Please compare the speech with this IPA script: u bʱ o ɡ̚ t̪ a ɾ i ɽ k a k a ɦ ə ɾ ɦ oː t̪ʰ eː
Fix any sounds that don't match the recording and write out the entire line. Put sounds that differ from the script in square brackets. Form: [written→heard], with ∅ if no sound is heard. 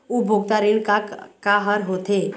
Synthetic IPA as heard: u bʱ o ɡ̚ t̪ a ɾ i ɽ k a k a ɦ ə ɾ ɦ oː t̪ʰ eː